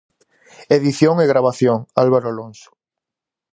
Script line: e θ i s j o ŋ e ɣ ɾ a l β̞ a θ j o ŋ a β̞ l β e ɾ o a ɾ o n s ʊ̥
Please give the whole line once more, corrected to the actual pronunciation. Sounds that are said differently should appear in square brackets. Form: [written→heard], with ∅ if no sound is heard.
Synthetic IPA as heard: e [θ→ð] i [s→θ] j o ŋ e ɣ ɾ a [l→∅] β̞ a θ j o ŋ a [β̞→∅] l β [e→a] ɾ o a [ɾ→l] o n s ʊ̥